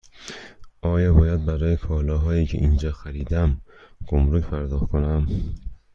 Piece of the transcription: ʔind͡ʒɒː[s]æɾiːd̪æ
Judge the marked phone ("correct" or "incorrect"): incorrect